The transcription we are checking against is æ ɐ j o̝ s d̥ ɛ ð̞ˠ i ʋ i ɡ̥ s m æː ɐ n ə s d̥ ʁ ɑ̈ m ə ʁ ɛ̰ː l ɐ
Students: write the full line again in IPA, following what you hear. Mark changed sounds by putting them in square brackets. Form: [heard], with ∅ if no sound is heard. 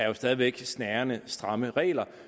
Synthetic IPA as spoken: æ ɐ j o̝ s d̥ ɛ ð̞ˠ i ʋ [e] ɡ̥ s [n] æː ɐ n ə s d̥ ʁ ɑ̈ m ə ʁ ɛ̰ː l ɐ